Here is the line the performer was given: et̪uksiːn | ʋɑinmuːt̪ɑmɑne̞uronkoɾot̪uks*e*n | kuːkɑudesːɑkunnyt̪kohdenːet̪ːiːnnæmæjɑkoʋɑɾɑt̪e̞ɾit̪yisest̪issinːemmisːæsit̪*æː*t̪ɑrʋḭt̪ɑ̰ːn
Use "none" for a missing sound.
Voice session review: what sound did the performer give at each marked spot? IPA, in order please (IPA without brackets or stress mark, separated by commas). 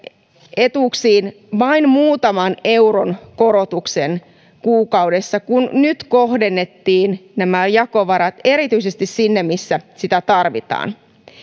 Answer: e, æ